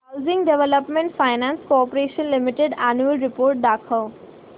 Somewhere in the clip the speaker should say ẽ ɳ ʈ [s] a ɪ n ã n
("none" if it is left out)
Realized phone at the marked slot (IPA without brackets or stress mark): f